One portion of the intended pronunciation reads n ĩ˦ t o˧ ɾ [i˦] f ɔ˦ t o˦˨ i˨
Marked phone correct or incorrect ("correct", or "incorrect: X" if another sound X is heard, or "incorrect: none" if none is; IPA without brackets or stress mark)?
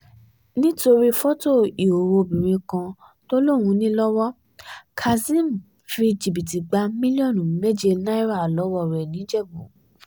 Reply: correct